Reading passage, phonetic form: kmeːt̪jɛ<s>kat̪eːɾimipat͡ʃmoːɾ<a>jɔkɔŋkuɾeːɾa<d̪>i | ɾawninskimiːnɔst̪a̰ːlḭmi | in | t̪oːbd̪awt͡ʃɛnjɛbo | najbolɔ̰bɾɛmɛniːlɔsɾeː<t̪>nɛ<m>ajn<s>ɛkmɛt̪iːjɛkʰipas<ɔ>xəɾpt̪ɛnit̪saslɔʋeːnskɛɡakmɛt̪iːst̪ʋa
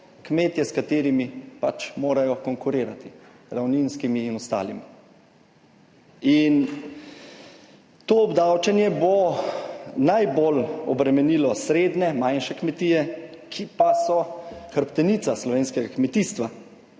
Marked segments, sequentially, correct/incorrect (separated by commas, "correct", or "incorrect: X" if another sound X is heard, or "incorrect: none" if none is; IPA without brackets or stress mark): correct, correct, incorrect: t̪, incorrect: d̪, correct, incorrect: ʃ, correct